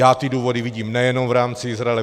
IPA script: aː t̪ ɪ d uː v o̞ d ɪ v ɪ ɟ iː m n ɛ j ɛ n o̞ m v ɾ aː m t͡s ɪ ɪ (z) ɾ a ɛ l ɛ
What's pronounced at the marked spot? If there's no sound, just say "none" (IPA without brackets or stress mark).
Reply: z